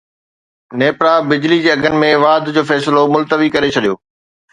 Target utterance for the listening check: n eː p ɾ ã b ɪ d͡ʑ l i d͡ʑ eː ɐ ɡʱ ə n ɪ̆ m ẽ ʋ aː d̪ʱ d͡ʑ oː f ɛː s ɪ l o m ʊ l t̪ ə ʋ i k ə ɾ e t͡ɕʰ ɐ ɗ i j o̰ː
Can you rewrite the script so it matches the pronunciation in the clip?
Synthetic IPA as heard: n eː p ɾ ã b ɪ d͡ʑ l i d͡ʑ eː ɐ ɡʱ ə n ɪ̆ m ẽ ʋ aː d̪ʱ d͡ʑ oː f ɛː s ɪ l o m ʊ l t̪ ə ʋ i k ɐ ɾ e t͡ɕʰ ɐ ɗ i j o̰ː